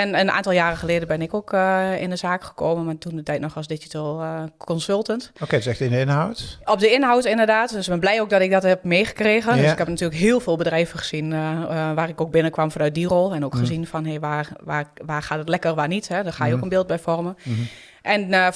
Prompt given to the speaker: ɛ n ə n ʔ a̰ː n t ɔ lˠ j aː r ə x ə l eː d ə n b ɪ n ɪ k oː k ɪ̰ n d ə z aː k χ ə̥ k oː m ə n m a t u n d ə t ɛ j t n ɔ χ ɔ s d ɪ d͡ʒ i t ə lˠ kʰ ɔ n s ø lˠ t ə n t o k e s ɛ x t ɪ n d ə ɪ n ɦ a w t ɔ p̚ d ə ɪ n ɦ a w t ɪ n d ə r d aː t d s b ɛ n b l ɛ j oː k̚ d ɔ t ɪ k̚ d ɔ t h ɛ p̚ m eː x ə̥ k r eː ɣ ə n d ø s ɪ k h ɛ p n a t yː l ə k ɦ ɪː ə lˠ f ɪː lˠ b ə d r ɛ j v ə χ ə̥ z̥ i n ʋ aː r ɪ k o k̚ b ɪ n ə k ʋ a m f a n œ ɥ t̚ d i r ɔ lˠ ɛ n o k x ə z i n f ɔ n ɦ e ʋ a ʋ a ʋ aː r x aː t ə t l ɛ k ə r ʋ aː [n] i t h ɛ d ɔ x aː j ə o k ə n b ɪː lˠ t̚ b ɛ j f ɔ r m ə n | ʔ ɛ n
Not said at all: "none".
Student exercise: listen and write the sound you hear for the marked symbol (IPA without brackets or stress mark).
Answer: n